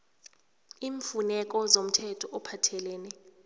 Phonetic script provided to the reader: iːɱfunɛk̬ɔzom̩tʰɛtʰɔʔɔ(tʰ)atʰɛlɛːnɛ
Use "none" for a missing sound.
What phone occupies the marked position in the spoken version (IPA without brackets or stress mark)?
pʰ